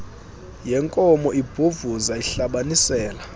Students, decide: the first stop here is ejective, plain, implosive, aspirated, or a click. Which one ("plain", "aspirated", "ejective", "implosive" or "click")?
ejective